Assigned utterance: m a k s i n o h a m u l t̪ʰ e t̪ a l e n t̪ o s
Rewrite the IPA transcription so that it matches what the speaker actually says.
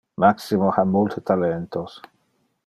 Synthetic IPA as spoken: m a k s i m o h a m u l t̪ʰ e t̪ a l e n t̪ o s